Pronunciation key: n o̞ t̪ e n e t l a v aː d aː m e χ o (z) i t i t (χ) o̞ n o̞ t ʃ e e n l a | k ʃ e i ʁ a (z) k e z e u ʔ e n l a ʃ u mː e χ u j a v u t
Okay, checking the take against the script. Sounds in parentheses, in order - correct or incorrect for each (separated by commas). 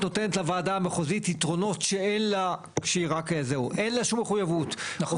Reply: correct, incorrect, incorrect